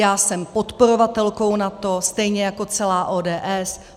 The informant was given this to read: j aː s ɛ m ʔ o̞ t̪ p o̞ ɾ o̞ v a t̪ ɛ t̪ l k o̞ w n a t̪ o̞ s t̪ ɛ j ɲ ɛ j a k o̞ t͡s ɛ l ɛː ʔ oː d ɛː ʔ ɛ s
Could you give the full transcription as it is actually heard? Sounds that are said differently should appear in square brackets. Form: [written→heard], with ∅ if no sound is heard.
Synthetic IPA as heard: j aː s ɛ m [ʔ→p] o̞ t̪ p o̞ ɾ o̞ v a t̪ ɛ [t̪→∅] l k o̞ w n a t̪ o̞ s t̪ ɛ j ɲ ɛ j a k o̞ t͡s ɛ l [ɛː→aː] ʔ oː d ɛː ʔ ɛ s